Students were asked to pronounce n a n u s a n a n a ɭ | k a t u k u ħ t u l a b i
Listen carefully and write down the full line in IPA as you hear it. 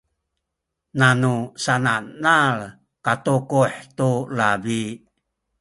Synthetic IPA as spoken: n a n u s a n a n a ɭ | k a t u k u ħ t u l a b i